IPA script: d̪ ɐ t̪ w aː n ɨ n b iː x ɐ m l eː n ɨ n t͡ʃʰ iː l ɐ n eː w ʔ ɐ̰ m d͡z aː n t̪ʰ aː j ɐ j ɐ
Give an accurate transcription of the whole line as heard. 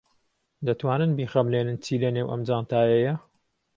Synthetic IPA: d̪ ɐ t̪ w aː n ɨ n b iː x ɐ m l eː n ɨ n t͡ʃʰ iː l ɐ n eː w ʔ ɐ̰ m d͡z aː n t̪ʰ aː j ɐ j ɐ